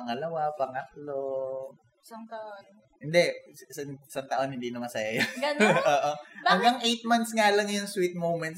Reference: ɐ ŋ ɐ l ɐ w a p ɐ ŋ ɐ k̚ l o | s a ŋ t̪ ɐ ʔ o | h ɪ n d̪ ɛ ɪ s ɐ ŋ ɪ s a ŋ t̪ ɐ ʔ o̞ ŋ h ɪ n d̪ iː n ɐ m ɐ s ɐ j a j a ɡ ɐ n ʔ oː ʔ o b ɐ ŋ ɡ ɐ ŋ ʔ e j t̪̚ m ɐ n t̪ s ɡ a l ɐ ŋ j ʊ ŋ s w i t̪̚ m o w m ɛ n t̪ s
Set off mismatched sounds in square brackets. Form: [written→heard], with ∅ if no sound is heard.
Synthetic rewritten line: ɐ ŋ ɐ l ɐ w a p ɐ ŋ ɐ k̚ l o | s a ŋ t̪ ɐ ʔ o | h ɪ n d̪ ɛ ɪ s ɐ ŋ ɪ s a ŋ t̪ ɐ ʔ o̞ [ŋ→n] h ɪ n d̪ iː n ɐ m ɐ s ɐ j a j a ɡ ɐ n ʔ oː ʔ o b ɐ ŋ ɡ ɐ ŋ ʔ e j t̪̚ m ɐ n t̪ s [ɡ→ŋ] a l ɐ ŋ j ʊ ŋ s w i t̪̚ m o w m ɛ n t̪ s